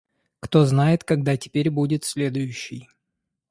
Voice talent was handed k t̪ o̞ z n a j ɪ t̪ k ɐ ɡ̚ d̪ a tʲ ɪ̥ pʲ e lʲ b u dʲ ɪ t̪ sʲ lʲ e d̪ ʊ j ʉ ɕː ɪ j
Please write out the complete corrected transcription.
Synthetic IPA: k t̪ o̞ z n a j ɪ t̪ k ɐ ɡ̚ d̪ a tʲ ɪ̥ pʲ e ɾʲ b u dʲ ɪ t̪ sʲ lʲ e d̪ ʊ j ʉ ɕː ɪ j